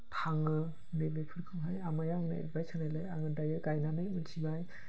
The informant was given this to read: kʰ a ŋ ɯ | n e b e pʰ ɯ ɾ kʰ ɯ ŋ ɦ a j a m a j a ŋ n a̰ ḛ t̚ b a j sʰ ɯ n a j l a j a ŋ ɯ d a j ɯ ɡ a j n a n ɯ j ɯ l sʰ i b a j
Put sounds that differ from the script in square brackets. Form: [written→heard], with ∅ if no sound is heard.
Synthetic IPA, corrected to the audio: [kʰ→tʰ] a ŋ ɯ | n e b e pʰ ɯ ɾ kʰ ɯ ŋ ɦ a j a m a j a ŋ n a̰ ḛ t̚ b a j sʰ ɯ n a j l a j a ŋ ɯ d a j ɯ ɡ a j n a n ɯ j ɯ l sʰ i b a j